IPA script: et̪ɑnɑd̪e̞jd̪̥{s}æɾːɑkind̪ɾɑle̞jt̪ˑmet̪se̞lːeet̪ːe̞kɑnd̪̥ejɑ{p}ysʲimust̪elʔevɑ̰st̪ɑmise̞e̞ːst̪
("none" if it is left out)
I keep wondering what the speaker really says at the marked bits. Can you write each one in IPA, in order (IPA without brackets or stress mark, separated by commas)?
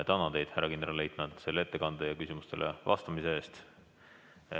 h, k